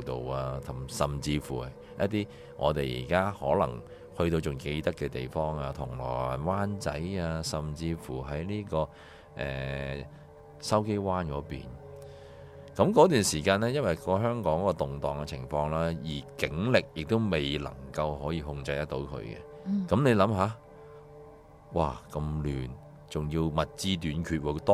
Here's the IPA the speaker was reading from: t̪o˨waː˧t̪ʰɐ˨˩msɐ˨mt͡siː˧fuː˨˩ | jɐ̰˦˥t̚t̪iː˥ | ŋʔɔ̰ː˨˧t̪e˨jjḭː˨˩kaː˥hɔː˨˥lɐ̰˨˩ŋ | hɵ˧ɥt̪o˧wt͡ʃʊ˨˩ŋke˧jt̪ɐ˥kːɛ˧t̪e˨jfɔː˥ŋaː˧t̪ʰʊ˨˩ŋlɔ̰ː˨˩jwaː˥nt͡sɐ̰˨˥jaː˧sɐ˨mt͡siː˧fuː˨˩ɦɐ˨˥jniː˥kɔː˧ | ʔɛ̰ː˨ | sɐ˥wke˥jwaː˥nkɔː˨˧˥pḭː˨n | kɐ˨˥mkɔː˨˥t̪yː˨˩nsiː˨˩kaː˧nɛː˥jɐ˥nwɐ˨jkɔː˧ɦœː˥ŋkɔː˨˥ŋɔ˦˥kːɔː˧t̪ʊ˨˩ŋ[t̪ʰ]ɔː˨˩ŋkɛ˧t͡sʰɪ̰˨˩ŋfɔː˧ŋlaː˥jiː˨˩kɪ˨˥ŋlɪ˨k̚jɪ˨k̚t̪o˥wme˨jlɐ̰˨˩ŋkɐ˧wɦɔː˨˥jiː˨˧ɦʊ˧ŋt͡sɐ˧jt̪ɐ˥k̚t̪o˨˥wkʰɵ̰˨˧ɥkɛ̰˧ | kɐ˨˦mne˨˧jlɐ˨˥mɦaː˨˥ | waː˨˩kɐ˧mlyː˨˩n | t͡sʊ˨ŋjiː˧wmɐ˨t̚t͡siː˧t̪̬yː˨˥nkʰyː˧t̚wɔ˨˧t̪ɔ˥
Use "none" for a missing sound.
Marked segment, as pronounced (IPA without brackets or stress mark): t̪